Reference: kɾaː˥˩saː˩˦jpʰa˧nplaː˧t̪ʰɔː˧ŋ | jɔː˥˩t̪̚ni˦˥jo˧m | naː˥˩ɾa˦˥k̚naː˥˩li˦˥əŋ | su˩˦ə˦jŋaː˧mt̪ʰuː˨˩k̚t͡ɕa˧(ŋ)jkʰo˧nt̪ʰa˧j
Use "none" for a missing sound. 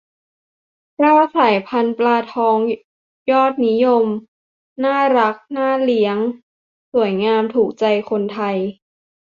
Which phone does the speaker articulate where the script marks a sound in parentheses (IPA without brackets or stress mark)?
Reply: none